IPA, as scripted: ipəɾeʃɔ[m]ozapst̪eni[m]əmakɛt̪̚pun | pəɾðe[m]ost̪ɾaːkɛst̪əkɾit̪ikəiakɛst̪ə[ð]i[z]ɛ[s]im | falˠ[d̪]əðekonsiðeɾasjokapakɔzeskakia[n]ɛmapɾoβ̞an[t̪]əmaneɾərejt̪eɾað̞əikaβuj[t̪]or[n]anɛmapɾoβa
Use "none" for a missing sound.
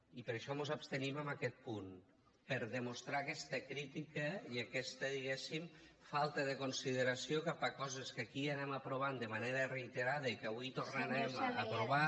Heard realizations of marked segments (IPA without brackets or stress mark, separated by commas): m, m, m, ð, ɣ, s, t̪, n, d̪, t̪, n